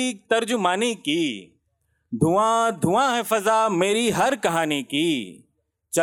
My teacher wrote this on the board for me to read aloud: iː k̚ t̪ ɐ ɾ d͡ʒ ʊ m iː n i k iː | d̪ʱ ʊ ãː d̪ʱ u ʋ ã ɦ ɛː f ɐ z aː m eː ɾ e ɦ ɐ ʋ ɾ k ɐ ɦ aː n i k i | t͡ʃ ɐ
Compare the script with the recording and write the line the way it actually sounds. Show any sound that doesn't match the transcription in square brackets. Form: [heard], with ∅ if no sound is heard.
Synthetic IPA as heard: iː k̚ t̪ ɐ ɾ d͡ʒ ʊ m [aː] n i k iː | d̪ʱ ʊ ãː d̪ʱ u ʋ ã ɦ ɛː f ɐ z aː m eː ɾ [i] ɦ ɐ [∅] ɾ k ɐ ɦ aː n i k i | t͡ʃ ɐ